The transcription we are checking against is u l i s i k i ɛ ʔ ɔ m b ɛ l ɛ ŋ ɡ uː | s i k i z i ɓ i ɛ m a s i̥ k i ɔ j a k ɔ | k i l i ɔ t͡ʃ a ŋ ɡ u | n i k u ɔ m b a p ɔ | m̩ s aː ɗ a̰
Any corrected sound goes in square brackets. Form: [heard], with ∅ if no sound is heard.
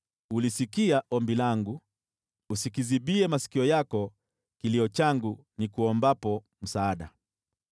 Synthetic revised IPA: u l i s i k i [a] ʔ ɔ m b [i] l [a] ŋ ɡ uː | s i k i z i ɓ i ɛ m a s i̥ k i ɔ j a k ɔ | k i l i ɔ t͡ʃ a ŋ ɡ u | n i k u ɔ m b a p ɔ | m̩ s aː ɗ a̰

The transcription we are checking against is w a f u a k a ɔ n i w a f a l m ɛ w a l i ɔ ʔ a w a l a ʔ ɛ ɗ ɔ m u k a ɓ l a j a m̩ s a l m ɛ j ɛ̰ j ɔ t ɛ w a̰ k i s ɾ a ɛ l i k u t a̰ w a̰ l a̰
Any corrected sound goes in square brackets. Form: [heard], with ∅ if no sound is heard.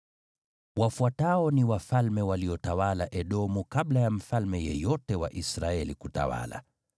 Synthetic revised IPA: w a f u a [t] a ɔ n i w a f a l m ɛ w a l i ɔ [t] a w a l a ʔ ɛ ɗ ɔ m u k a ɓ l a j a m̩ [f] a l m ɛ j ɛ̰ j ɔ t ɛ w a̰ [ʔ] i s ɾ a ɛ l i k u t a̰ w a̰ l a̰

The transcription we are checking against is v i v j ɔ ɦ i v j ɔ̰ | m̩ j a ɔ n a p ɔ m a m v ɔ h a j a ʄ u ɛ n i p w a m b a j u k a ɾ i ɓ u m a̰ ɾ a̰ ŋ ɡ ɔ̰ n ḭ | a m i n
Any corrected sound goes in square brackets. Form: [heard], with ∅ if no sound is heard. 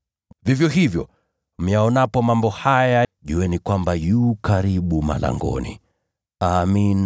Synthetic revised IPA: v i v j ɔ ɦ i v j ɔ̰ | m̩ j a ɔ n a p ɔ m a m [b] ɔ h a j a ʄ u ɛ n i [k] w a m b a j u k a ɾ i ɓ u m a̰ [l] a̰ ŋ ɡ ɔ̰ n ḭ | a m i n

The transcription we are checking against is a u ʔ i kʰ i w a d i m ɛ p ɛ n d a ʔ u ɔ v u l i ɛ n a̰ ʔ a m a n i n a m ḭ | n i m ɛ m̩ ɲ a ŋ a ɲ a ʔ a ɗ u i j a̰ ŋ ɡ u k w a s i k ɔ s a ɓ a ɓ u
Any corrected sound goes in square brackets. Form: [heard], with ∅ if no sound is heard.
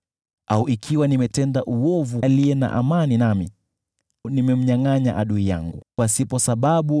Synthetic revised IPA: a u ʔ i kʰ i w a [n] i m ɛ [t] ɛ n d a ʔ u ɔ v u l i ɛ n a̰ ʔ a m a n i n a m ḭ | n i m ɛ m̩ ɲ a ŋ a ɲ a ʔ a ɗ u i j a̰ ŋ ɡ u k w a s i [p] ɔ s a ɓ a ɓ u

